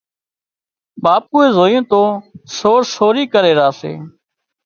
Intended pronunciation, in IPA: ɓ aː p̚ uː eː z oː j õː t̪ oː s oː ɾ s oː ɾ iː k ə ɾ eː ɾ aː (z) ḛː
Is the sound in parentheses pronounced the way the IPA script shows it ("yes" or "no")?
no